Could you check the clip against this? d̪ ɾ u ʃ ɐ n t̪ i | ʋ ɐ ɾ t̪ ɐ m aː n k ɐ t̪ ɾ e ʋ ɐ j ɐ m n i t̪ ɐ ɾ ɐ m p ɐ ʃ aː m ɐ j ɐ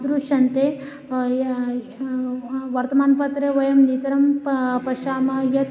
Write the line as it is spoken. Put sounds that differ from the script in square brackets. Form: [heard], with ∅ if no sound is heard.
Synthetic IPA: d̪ ɾ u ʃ ɐ n t̪ [e] | ʋ ɐ ɾ t̪ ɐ m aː n [p] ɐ t̪ ɾ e ʋ ɐ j ɐ m n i t̪ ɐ ɾ ɐ m p ɐ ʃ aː m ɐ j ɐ